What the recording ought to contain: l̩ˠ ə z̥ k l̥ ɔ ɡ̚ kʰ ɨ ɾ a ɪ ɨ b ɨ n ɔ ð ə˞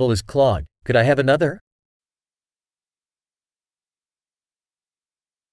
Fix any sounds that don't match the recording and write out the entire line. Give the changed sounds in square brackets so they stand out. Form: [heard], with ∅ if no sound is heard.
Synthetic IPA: l̩ˠ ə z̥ [kʰ] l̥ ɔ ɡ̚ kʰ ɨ ɾ a ɪ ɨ [v] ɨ n [ʌ] ð ə˞